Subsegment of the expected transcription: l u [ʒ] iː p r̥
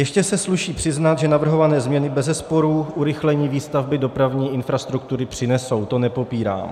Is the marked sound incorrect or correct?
incorrect